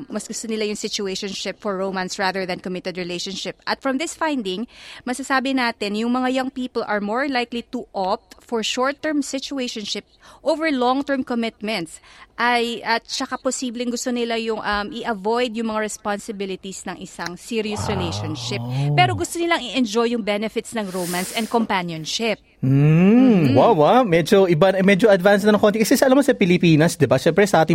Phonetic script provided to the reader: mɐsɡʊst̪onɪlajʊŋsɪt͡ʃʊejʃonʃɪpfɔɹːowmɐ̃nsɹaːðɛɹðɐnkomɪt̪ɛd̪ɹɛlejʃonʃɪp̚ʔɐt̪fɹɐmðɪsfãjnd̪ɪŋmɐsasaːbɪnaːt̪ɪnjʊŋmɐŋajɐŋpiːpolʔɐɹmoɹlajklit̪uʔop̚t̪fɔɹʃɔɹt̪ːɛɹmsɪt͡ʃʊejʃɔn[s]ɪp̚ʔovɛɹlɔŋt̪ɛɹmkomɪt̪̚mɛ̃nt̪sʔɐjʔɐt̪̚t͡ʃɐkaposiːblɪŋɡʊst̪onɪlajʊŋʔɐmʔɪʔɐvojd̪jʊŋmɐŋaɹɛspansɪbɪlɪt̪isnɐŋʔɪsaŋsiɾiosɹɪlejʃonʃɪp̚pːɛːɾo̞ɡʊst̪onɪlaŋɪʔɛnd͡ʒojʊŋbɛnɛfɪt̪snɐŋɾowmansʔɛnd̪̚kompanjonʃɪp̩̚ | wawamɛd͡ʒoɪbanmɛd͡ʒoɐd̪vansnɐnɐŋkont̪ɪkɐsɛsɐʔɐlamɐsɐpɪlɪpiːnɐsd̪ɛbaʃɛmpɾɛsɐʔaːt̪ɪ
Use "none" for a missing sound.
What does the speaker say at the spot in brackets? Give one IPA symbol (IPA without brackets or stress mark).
ʃ